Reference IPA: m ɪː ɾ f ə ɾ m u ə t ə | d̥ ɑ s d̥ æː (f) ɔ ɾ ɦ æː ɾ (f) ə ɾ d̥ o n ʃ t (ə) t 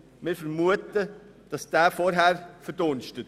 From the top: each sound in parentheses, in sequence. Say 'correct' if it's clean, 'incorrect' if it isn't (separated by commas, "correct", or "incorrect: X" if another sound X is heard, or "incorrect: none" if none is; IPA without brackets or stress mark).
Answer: correct, correct, correct